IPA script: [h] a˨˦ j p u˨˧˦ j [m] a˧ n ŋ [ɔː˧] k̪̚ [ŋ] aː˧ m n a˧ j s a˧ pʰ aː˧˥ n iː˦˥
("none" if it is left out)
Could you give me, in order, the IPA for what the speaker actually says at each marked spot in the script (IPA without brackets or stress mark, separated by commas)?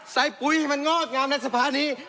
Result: s, m, ɔː˥˩, ŋ